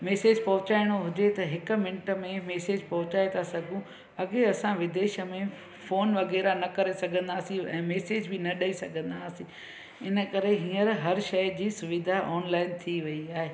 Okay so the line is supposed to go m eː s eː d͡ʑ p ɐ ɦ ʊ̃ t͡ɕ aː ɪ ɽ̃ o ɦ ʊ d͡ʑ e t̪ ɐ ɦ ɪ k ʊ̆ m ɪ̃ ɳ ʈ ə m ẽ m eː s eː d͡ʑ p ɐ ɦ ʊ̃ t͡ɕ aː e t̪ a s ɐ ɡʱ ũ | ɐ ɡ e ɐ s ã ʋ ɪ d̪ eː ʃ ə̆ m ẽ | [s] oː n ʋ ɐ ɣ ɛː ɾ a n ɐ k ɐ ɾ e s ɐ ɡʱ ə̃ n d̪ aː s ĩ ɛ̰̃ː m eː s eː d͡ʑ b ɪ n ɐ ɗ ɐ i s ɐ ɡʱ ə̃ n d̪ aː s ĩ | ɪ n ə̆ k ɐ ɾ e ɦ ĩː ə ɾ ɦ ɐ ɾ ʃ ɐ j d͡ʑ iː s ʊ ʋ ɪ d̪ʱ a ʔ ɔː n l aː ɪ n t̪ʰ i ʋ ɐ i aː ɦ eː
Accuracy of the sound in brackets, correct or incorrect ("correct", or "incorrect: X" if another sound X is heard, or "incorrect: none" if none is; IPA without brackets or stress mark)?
incorrect: f